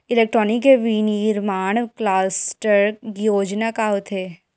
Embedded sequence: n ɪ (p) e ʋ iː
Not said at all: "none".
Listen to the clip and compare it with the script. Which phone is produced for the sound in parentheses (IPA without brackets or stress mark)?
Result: k